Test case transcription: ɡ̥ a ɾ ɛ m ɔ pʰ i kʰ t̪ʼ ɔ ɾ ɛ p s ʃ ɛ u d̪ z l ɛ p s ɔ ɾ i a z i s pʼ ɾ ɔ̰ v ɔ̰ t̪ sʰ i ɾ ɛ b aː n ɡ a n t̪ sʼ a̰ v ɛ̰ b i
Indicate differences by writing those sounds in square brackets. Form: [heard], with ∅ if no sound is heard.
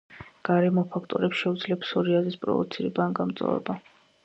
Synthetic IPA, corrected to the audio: ɡ̥ a ɾ ɛ m ɔ pʰ [a] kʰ t̪ʼ ɔ ɾ ɛ p s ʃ ɛ u d̪ z l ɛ p s ɔ ɾ i a z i s pʼ ɾ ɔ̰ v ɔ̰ t̪ sʰ i ɾ ɛ b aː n ɡ a [m] t̪ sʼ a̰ v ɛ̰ b [a]